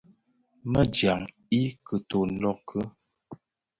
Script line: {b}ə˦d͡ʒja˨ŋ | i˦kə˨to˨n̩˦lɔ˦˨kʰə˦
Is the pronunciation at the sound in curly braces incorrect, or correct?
incorrect